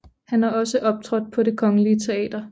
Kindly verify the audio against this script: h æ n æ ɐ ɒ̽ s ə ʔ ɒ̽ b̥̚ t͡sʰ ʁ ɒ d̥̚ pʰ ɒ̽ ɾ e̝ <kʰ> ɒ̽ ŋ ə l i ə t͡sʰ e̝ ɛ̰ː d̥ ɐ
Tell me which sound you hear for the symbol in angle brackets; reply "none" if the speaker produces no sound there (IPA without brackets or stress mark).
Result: kʰ